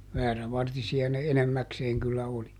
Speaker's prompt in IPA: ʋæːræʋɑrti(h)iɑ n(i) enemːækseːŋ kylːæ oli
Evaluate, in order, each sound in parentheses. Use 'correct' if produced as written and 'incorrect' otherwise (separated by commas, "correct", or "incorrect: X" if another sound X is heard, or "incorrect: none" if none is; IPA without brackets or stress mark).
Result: incorrect: s, incorrect: e